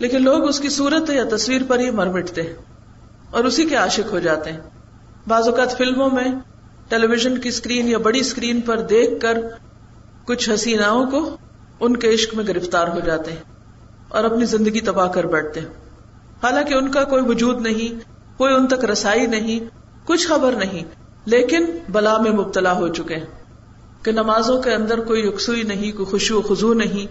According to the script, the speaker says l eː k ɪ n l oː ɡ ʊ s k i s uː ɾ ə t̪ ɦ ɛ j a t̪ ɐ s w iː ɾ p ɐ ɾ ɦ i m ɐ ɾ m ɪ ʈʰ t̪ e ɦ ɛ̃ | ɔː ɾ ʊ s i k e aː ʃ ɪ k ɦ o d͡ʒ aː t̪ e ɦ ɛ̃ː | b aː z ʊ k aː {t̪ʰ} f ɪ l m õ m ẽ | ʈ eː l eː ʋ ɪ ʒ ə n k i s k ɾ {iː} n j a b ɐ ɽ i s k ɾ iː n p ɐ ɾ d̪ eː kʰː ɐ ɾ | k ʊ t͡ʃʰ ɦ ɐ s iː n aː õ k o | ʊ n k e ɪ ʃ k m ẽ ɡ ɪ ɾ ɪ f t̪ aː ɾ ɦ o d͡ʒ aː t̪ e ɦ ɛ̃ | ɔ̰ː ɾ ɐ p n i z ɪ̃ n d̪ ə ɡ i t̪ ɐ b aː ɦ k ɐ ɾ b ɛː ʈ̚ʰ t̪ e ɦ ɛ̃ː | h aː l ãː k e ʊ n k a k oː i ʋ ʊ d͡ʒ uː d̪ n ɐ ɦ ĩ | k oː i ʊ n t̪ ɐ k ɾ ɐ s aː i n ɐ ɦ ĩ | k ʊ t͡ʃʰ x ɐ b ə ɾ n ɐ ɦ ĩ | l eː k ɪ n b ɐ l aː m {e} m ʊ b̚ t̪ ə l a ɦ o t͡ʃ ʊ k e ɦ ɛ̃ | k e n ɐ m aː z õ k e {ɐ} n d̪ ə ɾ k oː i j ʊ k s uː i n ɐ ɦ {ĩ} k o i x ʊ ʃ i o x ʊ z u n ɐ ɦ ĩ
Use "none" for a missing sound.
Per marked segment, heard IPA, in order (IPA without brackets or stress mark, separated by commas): t̪, iː, ẽ, ɐ̃, ĩ